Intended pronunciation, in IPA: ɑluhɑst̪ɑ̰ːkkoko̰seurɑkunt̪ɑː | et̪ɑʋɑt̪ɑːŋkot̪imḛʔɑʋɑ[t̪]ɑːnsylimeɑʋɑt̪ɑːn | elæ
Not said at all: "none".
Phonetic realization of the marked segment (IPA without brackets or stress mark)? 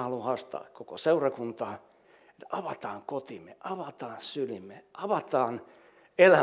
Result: t̪